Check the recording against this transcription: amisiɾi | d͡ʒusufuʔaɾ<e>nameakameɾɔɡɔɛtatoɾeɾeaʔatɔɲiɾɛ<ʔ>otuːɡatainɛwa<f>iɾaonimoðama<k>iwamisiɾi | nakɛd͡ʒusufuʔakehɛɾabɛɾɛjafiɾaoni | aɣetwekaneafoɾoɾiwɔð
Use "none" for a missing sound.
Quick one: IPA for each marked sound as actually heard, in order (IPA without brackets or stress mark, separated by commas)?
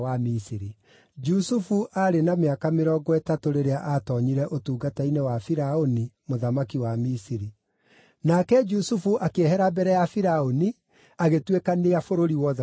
e, ʔ, f, k